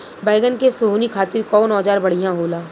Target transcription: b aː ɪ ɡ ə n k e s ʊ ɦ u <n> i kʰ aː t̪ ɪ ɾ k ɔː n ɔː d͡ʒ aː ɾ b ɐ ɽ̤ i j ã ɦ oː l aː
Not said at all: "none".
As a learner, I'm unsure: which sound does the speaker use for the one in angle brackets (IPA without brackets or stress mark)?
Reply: n